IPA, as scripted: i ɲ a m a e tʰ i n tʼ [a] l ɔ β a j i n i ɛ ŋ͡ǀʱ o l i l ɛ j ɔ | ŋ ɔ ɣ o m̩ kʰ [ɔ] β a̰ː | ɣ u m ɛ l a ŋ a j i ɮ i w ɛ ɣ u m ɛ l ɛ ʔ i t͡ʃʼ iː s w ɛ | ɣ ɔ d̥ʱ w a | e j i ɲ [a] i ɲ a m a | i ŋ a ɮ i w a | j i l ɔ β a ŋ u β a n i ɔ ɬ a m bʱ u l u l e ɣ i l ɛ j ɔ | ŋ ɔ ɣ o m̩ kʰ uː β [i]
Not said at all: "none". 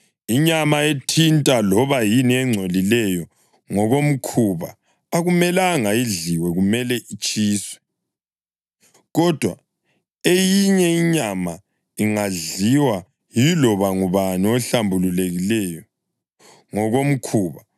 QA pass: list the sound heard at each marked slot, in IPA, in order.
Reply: a, u, ɛ, a

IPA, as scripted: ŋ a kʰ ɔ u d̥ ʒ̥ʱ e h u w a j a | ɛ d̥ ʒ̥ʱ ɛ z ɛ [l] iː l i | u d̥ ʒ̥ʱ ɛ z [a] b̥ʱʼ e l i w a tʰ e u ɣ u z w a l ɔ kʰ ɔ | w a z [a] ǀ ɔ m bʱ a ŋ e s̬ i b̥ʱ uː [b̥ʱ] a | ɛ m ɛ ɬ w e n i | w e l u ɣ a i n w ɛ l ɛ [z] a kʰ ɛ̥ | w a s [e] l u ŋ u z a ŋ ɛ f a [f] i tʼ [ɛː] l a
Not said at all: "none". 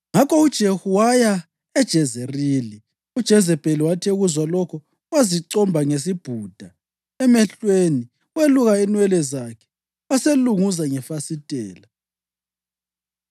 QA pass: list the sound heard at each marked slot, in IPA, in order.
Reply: r, ɛ, i, d̥ʱ, z, e, s, ɛː

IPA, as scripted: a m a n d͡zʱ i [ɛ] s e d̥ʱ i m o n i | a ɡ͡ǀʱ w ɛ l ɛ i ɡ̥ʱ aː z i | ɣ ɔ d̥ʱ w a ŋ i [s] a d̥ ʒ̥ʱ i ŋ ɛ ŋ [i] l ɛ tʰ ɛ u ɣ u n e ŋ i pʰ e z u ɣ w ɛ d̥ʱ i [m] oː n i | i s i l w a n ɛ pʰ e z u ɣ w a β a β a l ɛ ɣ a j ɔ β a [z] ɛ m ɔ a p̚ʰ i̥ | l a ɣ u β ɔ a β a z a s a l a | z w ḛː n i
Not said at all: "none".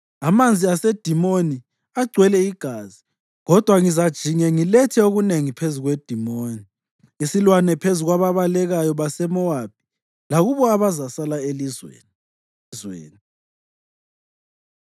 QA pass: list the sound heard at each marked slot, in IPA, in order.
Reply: a, z, i, m, s

